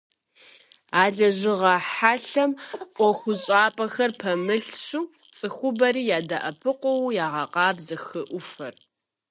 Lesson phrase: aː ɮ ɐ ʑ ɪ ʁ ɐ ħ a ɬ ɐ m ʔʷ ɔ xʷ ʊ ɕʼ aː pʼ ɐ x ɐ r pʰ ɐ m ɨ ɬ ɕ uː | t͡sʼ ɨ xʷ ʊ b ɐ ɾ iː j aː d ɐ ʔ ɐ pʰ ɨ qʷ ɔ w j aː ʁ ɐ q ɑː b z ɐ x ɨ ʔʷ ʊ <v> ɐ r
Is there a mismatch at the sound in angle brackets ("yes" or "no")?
yes